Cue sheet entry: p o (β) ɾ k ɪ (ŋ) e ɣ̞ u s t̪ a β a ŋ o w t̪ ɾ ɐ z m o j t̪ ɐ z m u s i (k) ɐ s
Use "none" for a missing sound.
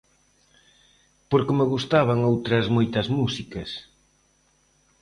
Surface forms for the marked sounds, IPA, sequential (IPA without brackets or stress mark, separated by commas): none, m, k